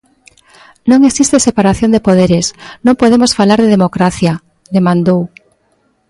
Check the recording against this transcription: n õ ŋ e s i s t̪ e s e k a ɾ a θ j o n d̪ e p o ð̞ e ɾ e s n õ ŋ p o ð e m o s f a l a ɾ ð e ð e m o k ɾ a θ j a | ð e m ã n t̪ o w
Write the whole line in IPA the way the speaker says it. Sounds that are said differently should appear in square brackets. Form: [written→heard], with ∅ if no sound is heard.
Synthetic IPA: n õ ŋ e s i s t̪ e s e [k→p] a ɾ a θ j o n d̪ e p o ð̞ e ɾ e s n õ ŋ p o ð e m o s f a l a ɾ ð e ð e m o k ɾ a θ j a | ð e m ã n [t̪→d̪] o w